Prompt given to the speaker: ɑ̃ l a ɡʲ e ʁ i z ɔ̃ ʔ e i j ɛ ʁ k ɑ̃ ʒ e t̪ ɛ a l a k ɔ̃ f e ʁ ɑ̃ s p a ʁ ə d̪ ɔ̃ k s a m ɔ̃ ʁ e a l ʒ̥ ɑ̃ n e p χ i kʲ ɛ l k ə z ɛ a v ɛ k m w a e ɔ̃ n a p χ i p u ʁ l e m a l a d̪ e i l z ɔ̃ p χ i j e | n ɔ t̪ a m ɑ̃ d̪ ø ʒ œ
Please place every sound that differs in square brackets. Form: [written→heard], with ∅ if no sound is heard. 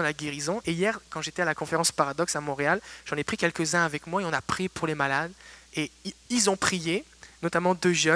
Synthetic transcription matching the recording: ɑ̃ l a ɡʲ e ʁ i z ɔ̃ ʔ e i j ɛ ʁ k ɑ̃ ʒ e t̪ ɛ a l a k ɔ̃ f e ʁ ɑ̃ s p a ʁ [ə→a] d̪ [ɔ̃→ɔ] k s a m ɔ̃ ʁ e a l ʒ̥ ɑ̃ n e p χ i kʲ ɛ l k ə z [ɛ→ɛ̃] a v ɛ k m w a e ɔ̃ n a p χ i p u ʁ l e m a l a d̪ e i l z ɔ̃ p χ i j e | n ɔ t̪ a m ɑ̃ d̪ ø ʒ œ